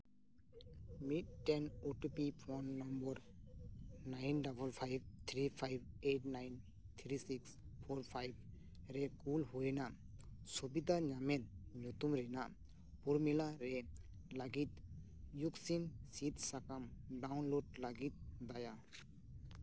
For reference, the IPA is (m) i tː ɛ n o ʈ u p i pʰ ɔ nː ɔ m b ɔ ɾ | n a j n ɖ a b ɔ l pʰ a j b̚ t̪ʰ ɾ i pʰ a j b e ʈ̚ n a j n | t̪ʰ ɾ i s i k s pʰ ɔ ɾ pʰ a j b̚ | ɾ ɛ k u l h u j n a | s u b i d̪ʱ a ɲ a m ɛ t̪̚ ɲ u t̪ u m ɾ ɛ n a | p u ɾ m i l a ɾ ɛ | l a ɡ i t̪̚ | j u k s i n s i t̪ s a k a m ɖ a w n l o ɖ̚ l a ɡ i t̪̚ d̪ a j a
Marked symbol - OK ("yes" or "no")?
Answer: yes